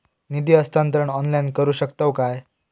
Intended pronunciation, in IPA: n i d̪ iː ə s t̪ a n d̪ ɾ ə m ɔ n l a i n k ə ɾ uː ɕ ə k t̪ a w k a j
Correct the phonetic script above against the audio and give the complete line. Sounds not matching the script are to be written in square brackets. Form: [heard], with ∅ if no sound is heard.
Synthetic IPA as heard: n i d̪ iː ə s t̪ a n [t̪] ɾ ə [ɳ] ɔ n l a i n k ə ɾ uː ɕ ə k t̪ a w k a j